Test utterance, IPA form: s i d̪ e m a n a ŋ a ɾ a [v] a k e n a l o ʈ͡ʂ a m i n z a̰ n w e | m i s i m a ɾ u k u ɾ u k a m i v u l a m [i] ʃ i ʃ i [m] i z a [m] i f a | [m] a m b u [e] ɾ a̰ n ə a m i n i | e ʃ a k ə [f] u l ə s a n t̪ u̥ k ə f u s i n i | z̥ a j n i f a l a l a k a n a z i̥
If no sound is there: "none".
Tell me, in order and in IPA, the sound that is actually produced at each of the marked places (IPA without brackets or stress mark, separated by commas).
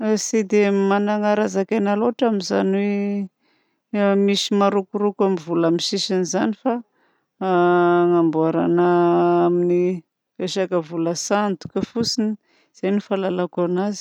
z, i, n, n, ŋ, a, v